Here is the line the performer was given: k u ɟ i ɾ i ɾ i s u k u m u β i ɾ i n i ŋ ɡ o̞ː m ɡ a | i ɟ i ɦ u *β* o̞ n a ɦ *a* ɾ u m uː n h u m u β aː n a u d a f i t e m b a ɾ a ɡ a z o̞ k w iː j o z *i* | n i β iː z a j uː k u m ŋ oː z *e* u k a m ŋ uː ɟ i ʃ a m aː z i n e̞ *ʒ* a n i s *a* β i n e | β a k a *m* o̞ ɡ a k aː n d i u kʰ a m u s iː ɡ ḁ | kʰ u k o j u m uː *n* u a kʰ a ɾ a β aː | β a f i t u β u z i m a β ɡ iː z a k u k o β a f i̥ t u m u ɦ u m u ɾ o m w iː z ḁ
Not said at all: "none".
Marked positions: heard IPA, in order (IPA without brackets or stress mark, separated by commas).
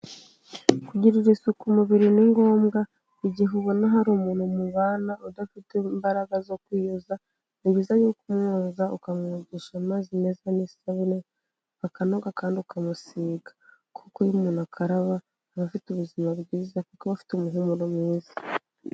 β, a, a, a, z, a, n, n